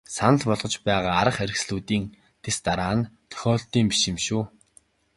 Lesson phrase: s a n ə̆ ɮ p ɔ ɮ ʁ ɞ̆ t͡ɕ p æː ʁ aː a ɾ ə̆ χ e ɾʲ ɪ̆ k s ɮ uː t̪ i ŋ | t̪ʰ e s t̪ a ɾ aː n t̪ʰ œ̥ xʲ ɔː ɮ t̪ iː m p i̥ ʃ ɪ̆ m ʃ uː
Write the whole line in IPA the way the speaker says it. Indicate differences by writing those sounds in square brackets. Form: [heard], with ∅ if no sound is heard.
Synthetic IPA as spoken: s a n ə̆ ɮ p ɔ ɮ ʁ ɞ̆ t͡ɕ p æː ʁ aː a ɾ ə̆ χ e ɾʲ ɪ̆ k s ɮ uː t̪ [iː] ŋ | t̪ʰ e s t̪ a ɾ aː n t̪ʰ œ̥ xʲ ɔː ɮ t̪ iː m p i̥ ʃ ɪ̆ m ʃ uː